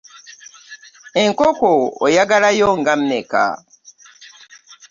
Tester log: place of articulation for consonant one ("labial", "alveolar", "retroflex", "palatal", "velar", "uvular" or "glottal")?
velar